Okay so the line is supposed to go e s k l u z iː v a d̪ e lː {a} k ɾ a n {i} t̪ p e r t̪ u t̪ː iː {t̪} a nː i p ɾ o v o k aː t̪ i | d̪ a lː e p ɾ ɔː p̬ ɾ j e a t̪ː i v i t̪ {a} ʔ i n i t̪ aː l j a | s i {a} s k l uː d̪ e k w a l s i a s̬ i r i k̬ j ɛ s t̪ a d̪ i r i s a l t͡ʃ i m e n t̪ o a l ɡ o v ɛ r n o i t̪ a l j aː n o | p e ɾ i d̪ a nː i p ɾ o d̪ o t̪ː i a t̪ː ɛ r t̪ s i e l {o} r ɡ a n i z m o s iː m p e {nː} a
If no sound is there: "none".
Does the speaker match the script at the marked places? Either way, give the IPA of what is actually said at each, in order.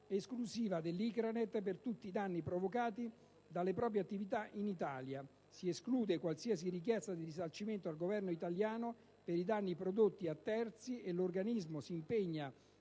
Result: i, e, d̪, a, e, o, ɲː

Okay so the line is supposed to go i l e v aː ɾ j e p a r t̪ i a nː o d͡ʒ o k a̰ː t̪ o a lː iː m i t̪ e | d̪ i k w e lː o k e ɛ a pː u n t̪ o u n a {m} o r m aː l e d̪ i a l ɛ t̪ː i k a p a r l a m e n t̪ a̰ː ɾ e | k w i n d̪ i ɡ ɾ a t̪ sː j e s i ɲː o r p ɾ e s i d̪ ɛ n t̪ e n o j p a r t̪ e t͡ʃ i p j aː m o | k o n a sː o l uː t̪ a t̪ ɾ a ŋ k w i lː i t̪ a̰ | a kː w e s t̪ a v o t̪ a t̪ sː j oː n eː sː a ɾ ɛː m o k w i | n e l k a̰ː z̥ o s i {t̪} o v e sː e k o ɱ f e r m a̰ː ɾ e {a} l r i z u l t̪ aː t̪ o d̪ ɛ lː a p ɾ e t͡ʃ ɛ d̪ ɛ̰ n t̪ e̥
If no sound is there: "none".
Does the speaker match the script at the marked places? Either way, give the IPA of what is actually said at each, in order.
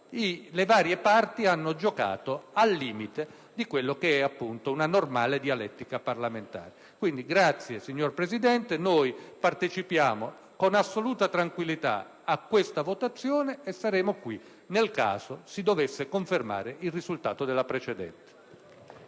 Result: n, d̪, i

